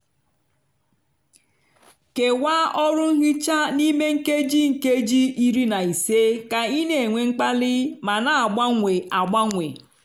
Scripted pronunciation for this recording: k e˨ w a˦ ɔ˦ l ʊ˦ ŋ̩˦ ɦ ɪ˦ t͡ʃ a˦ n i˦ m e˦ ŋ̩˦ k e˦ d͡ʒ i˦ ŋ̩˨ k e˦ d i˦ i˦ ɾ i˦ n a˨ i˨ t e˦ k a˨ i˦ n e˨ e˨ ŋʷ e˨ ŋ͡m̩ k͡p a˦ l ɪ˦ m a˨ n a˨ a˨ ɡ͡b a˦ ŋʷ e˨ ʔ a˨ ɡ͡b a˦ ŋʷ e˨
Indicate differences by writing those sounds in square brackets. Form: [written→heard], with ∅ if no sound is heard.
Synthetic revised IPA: k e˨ w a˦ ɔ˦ [l→ɾ] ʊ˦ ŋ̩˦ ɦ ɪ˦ t͡ʃ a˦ n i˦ m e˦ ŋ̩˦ k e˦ d͡ʒ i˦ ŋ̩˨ k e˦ [d→d͡ʒ] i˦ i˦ ɾ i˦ n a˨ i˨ [t→s] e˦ k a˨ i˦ n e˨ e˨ ŋʷ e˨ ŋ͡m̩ k͡p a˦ l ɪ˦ m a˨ n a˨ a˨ ɡ͡b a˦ ŋʷ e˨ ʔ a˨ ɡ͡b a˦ ŋʷ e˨